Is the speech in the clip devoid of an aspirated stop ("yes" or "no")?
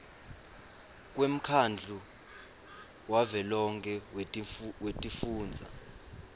no